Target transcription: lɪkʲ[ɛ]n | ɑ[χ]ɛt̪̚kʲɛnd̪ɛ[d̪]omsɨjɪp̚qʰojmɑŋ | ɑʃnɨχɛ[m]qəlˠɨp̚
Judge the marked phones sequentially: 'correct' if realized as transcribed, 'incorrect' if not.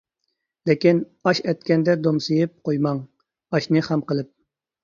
incorrect, incorrect, correct, correct

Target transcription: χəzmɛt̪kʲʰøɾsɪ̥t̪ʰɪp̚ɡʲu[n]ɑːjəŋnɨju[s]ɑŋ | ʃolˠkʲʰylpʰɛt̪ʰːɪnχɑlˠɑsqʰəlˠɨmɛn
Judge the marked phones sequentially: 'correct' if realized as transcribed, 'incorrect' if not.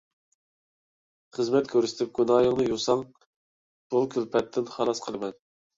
correct, correct

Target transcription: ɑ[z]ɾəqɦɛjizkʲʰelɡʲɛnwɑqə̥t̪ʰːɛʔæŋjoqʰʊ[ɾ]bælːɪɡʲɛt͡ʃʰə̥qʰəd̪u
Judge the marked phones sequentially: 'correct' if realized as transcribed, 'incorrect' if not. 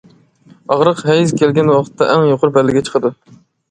incorrect, correct

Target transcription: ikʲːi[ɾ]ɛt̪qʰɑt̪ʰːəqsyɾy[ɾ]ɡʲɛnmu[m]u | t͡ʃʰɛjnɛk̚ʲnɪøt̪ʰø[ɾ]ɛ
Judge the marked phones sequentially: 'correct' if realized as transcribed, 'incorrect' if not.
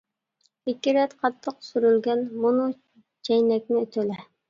correct, incorrect, incorrect, incorrect

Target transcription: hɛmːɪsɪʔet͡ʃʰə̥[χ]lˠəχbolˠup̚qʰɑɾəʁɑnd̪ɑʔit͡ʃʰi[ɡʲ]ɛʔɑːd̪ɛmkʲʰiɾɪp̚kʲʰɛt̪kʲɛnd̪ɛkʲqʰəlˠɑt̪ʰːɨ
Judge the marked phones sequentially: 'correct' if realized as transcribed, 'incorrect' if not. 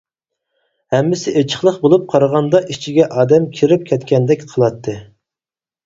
correct, correct

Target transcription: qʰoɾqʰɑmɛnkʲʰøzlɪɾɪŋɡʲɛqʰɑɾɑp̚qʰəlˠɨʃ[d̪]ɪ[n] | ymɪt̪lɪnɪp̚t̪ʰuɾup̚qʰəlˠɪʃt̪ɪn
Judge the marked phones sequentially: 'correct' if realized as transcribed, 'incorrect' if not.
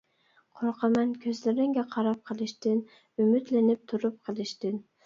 incorrect, correct

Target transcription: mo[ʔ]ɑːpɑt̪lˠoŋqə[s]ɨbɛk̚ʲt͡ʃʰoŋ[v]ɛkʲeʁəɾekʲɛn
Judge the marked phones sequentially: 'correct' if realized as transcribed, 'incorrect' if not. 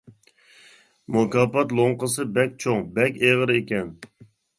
incorrect, correct, incorrect

